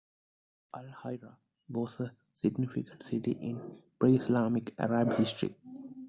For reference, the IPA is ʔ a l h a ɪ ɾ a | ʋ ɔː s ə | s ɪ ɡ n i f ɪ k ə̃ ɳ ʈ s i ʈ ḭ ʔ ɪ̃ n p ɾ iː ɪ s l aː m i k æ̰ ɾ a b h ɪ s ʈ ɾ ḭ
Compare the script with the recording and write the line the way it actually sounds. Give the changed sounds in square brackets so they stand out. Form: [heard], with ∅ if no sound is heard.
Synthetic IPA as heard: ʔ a l h a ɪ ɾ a | ʋ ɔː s ə | s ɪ ɡ n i f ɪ k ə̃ ɳ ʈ s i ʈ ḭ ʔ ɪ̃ n p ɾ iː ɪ s l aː m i k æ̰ ɾ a b h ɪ s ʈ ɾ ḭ